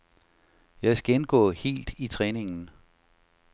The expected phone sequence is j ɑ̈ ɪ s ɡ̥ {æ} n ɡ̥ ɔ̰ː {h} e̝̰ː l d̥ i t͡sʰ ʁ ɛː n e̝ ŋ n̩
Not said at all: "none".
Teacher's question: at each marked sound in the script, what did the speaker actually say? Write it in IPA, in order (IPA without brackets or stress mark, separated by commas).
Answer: e, h